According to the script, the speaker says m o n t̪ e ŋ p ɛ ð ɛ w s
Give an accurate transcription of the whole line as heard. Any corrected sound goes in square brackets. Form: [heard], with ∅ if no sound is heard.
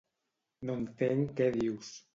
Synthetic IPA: [n] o n t̪ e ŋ [k] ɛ ð [i] w s